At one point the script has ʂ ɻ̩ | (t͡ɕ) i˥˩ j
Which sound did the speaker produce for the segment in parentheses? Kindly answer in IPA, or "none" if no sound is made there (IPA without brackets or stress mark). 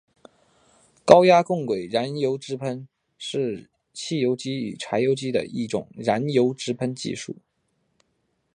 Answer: t͡ɕʰ